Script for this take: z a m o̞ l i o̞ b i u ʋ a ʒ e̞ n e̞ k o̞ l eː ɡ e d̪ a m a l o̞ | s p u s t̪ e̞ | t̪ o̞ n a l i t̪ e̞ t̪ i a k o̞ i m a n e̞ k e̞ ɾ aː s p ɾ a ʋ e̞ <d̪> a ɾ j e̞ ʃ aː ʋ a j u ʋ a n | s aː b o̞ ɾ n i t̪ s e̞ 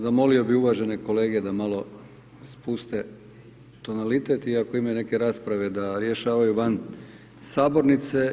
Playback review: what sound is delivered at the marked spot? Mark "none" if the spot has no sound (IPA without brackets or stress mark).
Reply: d̪